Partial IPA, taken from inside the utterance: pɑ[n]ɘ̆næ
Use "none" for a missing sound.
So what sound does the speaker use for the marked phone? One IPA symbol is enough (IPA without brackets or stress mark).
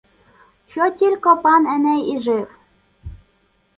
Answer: n